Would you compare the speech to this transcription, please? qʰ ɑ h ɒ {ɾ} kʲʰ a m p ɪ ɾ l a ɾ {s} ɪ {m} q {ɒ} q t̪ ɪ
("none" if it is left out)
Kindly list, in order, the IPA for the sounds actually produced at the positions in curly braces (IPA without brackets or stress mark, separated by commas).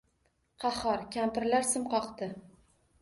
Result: ɾ, s, m, ɒ